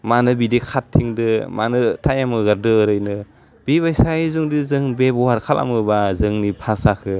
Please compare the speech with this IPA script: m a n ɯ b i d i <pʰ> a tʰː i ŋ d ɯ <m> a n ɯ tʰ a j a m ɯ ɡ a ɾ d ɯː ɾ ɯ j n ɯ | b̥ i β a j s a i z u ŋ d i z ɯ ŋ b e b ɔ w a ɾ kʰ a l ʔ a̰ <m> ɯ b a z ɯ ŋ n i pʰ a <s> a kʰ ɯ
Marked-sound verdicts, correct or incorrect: incorrect: kʰ, correct, correct, correct

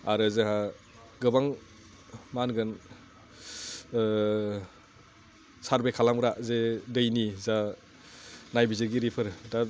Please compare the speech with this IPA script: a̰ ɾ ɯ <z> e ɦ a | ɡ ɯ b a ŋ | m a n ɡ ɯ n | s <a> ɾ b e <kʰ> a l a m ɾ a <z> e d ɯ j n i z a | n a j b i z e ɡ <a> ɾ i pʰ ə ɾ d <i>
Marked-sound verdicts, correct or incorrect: correct, correct, correct, correct, incorrect: i, incorrect: a

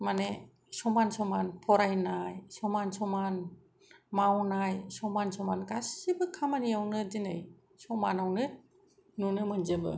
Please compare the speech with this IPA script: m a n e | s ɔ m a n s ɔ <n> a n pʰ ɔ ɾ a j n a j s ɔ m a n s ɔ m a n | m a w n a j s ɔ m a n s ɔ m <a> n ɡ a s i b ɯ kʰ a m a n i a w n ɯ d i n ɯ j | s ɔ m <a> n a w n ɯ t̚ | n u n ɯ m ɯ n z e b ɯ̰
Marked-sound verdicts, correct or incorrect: incorrect: m, correct, correct

